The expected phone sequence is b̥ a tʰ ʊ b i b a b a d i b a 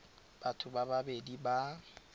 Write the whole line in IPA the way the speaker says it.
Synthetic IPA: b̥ a tʰ ʊ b a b a b e d i b a